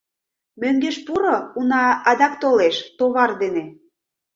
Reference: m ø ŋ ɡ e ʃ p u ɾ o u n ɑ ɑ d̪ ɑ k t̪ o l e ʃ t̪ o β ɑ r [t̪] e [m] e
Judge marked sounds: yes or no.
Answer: no, no

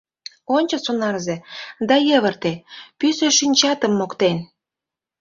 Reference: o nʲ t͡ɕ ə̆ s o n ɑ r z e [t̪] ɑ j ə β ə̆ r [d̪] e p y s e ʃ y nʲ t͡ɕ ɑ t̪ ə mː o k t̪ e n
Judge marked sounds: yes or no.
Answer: no, no

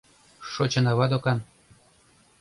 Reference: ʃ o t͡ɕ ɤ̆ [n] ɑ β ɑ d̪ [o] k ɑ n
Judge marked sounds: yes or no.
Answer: yes, yes

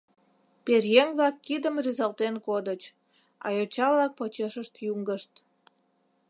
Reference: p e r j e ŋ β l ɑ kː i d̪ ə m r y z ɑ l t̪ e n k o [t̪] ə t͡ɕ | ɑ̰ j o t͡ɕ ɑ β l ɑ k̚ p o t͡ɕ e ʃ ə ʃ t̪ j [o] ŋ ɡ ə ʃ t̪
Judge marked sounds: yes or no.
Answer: no, no

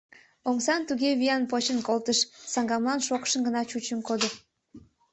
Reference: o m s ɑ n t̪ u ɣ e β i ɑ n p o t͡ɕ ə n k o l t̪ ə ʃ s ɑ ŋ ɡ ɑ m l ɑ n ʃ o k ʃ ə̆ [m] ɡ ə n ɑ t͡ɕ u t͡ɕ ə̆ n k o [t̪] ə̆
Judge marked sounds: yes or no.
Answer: no, no

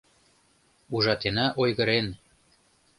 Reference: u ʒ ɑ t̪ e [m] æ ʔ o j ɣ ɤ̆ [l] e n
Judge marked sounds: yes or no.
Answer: no, no

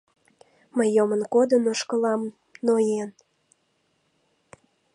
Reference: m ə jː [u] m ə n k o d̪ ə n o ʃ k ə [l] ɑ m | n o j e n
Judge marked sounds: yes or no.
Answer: no, yes

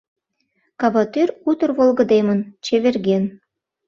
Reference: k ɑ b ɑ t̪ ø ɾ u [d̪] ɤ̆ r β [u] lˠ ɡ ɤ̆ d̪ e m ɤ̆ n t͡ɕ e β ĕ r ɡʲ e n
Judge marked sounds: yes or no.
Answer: no, no

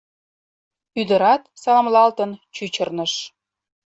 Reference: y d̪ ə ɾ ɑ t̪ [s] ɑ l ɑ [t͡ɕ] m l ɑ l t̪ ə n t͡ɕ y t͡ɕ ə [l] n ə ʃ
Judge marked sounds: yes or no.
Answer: yes, no, no

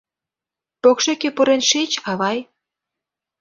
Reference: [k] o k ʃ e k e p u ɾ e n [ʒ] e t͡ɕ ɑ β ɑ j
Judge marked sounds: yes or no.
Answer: no, no

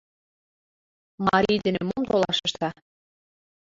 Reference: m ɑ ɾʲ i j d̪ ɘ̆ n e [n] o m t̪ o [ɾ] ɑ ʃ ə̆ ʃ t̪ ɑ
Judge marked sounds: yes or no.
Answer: no, no

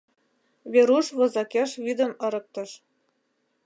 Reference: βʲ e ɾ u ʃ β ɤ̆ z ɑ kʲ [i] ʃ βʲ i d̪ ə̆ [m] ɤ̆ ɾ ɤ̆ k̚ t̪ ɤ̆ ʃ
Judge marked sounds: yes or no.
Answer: no, yes

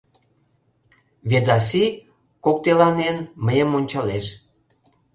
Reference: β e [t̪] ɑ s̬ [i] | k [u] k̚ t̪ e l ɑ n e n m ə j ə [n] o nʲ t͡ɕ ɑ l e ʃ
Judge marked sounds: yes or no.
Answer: no, yes, no, no

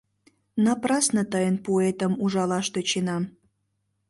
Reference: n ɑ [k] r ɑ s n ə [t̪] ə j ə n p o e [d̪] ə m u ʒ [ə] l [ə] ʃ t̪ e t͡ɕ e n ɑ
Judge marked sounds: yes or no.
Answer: no, yes, no, no, no

